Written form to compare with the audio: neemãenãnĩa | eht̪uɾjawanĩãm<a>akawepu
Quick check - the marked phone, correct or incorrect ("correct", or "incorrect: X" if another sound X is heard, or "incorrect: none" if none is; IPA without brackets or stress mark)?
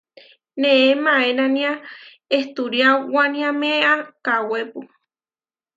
incorrect: e